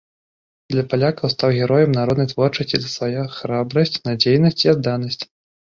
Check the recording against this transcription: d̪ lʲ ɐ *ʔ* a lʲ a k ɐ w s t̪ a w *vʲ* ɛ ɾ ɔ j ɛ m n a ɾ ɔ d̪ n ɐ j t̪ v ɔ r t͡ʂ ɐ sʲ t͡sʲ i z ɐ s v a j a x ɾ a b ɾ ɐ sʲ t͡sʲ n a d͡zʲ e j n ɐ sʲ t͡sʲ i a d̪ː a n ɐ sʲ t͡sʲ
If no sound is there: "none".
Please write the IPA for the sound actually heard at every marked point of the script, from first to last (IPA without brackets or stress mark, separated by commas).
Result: p, ɣʲ